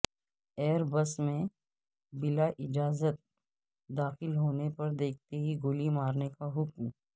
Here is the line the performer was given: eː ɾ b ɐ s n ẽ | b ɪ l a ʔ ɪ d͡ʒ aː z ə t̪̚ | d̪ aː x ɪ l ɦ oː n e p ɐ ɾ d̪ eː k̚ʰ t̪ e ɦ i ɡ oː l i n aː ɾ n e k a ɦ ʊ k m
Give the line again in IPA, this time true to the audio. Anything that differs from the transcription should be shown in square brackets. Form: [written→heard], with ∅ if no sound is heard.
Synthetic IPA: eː ɾ b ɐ s [n→m] ẽ | b ɪ l a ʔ ɪ d͡ʒ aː z ə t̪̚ | d̪ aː x ɪ l ɦ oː n e p ɐ ɾ d̪ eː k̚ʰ t̪ e ɦ i ɡ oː l i [n→m] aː ɾ n e k a ɦ ʊ k m